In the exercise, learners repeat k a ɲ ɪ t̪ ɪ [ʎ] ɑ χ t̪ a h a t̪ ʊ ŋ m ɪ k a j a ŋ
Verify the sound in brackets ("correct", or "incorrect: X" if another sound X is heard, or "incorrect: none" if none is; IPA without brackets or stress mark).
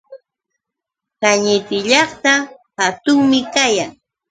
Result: correct